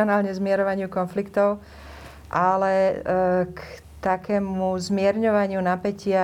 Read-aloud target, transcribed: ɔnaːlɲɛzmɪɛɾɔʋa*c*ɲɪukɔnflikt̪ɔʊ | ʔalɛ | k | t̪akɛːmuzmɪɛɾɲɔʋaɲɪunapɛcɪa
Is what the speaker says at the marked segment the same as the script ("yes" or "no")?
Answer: no